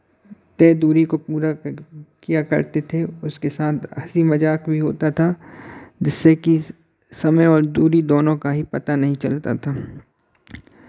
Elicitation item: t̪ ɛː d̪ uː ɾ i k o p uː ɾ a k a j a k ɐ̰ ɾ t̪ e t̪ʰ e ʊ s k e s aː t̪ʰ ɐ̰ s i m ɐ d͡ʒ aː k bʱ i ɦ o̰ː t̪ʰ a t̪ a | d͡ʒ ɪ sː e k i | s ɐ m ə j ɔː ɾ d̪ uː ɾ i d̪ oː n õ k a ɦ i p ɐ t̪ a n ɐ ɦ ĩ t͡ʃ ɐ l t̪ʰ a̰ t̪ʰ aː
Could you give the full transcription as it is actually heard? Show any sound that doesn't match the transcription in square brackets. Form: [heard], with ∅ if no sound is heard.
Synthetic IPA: t̪ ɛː d̪ uː ɾ i k o p uː ɾ a k [i] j a k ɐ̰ ɾ t̪ e t̪ʰ e ʊ s k e s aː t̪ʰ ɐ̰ s i m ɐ d͡ʒ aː k bʱ i ɦ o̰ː [t̪] a [t̪ʰ] a | d͡ʒ ɪ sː e k i | s ɐ m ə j ɔː ɾ d̪ uː ɾ i d̪ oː n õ k a ɦ i p ɐ t̪ a n ɐ ɦ ĩ t͡ʃ ɐ l [t̪] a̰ t̪ʰ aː